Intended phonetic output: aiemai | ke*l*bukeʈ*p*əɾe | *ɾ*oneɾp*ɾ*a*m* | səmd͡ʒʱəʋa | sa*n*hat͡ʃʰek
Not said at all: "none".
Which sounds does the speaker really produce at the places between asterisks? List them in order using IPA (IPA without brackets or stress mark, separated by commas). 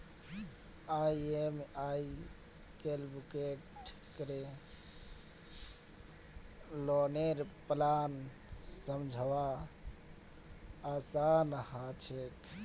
l, k, l, l, n, n